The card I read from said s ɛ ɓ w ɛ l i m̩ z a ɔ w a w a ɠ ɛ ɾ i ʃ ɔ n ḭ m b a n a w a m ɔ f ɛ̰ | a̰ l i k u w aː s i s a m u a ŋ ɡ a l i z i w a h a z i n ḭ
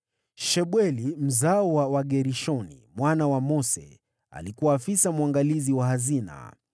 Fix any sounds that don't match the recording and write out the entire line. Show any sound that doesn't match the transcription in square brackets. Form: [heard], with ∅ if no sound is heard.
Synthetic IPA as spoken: [ʃ] ɛ ɓ w ɛ l i m̩ z a ɔ w a w a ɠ ɛ ɾ i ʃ ɔ n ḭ m [w] a n a w a m ɔ [s] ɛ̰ | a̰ l i k u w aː [f] i s a m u a ŋ ɡ a l i z i w a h a z i n [a̰]